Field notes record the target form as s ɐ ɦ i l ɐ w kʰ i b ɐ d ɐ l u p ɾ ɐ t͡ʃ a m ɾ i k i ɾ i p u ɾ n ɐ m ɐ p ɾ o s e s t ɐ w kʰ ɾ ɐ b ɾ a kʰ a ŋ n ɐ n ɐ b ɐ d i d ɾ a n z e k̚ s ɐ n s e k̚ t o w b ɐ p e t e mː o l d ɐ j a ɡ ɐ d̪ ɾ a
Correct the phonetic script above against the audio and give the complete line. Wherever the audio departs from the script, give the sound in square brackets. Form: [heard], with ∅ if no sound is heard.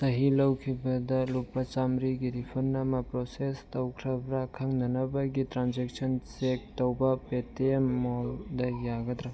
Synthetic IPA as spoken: s ɐ ɦ i l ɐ w kʰ i b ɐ d ɐ l u p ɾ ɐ t͡ʃ a m ɾ i [ɡ] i ɾ i [pʰ] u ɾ n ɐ m ɐ p ɾ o s e s t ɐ w kʰ ɾ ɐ b ɾ a kʰ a ŋ n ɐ n ɐ b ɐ [ɡ] i [t] ɾ a n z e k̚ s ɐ n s e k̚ t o w b ɐ p e t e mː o l d ɐ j a ɡ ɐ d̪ ɾ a